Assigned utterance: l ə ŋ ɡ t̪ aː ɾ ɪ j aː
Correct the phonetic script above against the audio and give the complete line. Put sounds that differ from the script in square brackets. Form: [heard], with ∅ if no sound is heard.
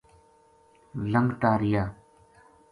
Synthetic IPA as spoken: l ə ŋ ɡ t̪ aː ɾ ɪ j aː